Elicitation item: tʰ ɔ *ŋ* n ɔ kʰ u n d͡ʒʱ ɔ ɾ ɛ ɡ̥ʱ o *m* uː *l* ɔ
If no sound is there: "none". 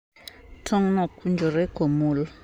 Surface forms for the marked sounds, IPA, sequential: ŋ, m, l

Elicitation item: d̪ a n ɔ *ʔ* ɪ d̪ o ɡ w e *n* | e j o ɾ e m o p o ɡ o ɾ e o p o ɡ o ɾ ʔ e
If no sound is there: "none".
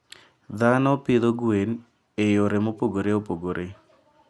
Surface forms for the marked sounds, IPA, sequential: p, n

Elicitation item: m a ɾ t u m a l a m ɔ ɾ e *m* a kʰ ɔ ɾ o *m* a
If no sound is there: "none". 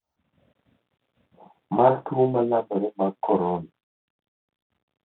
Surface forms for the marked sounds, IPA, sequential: m, n

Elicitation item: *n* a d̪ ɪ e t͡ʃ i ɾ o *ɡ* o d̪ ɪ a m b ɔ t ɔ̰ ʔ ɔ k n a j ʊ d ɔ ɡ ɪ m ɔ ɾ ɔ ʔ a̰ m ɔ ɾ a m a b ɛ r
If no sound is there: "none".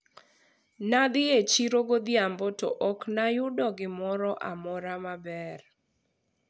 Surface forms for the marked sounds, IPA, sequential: n, ɡ

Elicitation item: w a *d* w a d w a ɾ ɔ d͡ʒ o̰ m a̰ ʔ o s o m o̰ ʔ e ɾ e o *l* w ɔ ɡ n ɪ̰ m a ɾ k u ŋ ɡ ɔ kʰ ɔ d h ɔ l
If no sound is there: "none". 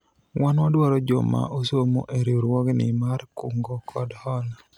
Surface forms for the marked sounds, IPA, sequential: n, ɾ

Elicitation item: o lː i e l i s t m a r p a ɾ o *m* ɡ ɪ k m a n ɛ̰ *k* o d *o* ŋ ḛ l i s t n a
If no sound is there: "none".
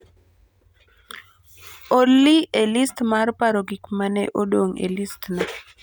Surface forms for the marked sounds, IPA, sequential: none, ʔ, o

